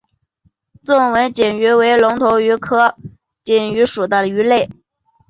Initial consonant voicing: voiceless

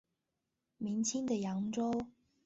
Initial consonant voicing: voiced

